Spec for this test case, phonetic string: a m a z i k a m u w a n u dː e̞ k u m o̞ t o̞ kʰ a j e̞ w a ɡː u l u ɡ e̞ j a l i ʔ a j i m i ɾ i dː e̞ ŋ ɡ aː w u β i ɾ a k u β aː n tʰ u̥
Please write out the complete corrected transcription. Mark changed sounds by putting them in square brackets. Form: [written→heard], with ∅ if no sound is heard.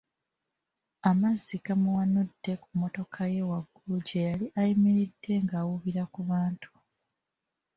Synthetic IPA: a m a z i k a m u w a n u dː e̞ k u m o̞ t o̞ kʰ a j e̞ w a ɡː u l u [ɡ→ɟ] e̞ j a l i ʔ a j i m i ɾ i dː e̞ ŋ ɡ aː w u β i ɾ a k u β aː n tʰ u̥